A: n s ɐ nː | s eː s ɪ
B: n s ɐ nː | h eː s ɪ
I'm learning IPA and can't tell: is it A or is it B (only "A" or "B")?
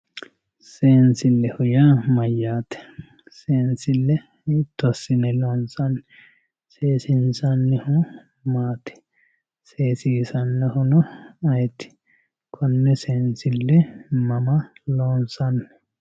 A